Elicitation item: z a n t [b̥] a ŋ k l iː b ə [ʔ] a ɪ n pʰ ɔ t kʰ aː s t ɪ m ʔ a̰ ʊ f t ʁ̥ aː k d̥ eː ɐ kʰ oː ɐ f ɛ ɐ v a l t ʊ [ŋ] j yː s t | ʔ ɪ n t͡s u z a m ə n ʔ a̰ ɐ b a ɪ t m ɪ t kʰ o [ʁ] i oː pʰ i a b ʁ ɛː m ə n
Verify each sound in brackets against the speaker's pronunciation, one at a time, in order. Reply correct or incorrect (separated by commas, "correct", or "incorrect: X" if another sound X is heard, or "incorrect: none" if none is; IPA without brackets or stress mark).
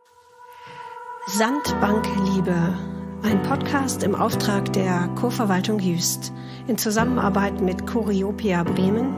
correct, correct, correct, correct